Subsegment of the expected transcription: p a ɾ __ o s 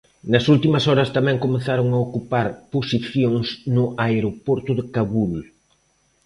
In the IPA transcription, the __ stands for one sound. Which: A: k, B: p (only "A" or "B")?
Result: B